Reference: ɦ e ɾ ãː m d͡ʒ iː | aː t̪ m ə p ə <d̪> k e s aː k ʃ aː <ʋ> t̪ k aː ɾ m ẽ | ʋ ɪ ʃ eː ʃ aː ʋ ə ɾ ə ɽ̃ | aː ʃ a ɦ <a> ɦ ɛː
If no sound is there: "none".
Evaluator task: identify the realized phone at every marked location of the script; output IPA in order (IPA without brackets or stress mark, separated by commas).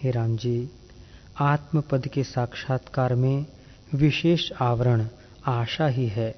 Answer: d̪, none, i